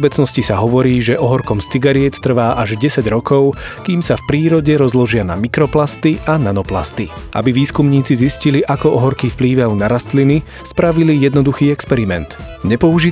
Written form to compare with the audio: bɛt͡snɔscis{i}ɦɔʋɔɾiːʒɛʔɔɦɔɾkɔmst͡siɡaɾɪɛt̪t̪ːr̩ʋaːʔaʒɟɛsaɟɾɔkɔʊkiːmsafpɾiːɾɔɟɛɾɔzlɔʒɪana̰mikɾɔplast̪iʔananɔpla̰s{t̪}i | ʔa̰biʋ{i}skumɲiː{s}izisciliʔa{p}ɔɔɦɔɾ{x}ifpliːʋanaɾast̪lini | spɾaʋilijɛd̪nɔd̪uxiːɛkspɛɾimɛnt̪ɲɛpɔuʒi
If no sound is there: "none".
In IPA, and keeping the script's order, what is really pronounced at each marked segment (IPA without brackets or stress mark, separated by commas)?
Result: a, t̪, iː, t͡s, k, k